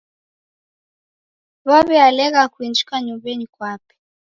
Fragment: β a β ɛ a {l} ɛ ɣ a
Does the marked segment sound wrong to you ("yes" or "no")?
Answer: no